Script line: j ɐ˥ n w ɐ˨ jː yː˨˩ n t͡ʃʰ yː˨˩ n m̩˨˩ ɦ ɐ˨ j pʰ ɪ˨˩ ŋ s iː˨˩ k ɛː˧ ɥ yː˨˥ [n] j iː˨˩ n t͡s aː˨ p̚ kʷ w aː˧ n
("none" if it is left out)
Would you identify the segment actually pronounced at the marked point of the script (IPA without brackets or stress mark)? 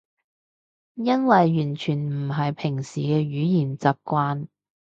none